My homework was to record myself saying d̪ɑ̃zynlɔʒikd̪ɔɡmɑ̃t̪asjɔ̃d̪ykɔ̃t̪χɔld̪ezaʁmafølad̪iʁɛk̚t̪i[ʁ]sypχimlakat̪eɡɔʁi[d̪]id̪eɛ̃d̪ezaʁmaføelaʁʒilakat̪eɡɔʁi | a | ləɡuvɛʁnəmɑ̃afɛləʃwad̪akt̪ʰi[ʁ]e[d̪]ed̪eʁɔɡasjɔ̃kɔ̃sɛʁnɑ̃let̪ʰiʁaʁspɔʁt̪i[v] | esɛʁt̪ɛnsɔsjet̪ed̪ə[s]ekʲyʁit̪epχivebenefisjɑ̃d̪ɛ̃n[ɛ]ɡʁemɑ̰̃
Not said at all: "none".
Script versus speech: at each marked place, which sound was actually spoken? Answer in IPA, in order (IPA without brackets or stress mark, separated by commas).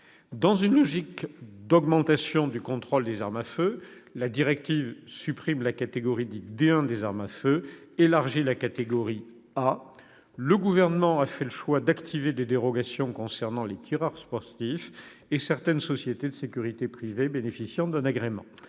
v, d̪, v, d̪, f, s, a